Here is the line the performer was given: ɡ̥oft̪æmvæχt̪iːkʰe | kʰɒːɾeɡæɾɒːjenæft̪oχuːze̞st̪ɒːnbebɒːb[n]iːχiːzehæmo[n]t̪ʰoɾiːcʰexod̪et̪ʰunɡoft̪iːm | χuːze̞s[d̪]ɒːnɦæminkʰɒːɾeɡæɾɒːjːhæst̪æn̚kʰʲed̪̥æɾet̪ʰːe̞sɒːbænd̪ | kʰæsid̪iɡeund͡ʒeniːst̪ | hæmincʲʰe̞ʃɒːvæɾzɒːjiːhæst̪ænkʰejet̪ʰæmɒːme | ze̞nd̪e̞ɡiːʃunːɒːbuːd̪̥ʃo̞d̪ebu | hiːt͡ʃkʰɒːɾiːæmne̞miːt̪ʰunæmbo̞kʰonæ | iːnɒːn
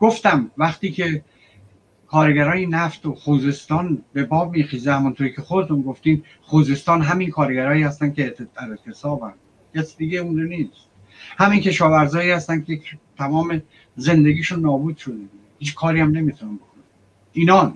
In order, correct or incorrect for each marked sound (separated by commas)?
incorrect, correct, incorrect